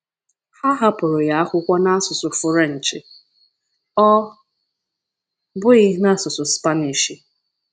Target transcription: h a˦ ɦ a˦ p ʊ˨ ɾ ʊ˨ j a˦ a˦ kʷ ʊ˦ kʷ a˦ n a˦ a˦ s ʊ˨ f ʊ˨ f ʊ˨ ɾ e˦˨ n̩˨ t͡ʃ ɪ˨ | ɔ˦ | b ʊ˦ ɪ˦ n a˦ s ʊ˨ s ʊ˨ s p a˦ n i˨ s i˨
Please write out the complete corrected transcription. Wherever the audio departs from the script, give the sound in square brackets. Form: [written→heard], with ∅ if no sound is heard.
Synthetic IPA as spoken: h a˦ ɦ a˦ p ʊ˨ ɾ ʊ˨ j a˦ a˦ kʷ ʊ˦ kʷ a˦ n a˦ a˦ s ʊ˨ [f→s] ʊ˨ f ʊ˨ ɾ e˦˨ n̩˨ t͡ʃ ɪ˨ | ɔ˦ | b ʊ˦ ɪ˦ n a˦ s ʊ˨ s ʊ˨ s p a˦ n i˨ [s→ʃ] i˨